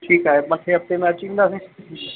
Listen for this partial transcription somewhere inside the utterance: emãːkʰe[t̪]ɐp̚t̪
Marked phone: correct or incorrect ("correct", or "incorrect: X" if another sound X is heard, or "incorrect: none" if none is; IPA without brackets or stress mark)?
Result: incorrect: none